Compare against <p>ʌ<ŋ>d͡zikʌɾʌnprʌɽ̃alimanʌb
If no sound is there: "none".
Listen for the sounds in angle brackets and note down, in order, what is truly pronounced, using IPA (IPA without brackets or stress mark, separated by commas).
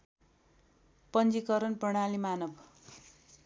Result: p, n